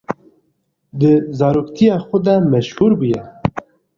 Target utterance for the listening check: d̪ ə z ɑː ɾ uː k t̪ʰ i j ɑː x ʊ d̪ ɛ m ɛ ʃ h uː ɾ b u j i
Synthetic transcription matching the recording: d̪ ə z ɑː ɾ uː k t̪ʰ i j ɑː x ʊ d̪ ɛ m ɛ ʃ h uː ɾ b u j ɛ